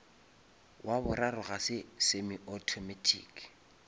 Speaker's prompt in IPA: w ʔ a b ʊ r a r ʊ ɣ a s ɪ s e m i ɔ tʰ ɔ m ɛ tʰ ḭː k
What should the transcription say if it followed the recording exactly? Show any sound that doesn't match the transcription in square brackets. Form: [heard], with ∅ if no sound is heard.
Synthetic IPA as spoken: w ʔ a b ʊ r a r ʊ ɣ a s ɪ s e m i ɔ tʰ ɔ m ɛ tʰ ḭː k